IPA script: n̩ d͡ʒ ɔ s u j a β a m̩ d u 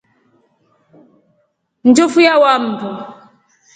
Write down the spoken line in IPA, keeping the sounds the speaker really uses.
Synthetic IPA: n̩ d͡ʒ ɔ f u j a w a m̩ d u